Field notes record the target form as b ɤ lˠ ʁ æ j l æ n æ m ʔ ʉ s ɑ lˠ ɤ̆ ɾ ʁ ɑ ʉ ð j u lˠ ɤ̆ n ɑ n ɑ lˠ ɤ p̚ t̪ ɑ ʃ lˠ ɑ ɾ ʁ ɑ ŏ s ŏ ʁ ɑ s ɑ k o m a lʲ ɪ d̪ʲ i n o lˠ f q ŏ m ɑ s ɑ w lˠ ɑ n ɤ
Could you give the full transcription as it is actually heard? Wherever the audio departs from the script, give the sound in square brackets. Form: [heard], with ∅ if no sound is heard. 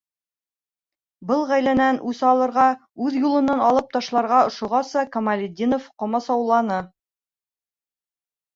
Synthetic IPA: b ɤ lˠ ʁ æ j l æ n æ [n] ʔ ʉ s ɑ lˠ ɤ̆ ɾ ʁ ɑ ʉ ð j u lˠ ɤ̆ n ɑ n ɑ lˠ ɤ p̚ t̪ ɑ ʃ lˠ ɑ ɾ ʁ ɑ ŏ [ʃ] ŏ ʁ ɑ s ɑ k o m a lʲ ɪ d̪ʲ i n o [∅] f q ŏ m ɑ s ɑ w lˠ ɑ n ɤ